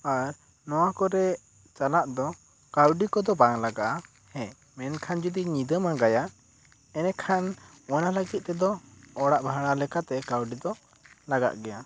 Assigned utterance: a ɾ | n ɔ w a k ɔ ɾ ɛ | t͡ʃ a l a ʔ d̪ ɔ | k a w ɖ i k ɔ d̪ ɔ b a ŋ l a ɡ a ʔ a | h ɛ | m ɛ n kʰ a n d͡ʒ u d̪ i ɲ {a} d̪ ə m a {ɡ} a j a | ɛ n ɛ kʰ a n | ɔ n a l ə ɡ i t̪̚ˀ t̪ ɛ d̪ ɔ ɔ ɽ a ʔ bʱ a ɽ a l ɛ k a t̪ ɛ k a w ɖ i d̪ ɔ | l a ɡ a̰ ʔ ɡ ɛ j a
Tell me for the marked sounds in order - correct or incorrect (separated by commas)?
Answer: incorrect, correct